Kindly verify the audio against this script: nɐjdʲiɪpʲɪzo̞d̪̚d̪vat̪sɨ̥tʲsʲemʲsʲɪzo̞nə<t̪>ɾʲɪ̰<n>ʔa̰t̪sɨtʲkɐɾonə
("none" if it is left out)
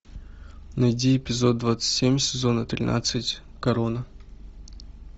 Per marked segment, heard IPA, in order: t̪, n

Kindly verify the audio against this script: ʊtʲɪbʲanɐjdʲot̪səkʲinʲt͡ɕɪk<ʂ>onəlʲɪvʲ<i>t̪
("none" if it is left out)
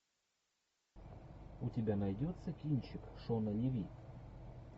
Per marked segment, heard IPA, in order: ʂ, i

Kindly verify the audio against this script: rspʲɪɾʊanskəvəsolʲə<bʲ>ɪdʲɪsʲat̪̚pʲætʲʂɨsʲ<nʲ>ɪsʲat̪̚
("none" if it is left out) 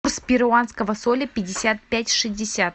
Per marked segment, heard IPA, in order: pʲ, dʲ

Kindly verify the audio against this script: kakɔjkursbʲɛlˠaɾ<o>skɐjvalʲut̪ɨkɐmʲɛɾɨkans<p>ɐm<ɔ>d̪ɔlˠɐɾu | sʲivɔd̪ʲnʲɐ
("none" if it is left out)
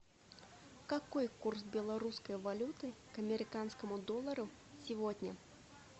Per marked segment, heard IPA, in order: u, k, u

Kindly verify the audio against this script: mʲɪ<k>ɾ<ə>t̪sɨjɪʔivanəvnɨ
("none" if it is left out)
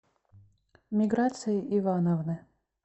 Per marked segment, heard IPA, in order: ɡ, a

